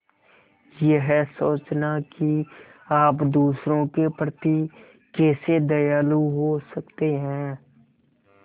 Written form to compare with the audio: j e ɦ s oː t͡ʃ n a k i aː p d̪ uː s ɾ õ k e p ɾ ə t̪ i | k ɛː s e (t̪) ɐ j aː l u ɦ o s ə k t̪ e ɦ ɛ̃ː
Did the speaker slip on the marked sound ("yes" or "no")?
yes